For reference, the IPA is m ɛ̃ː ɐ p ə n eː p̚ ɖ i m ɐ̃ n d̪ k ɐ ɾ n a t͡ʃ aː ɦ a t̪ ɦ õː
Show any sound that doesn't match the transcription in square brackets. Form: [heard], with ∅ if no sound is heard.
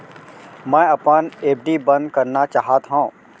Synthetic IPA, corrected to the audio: m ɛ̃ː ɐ p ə n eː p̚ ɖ i [b] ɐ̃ n d̪ k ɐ ɾ n a t͡ʃ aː ɦ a t̪ ɦ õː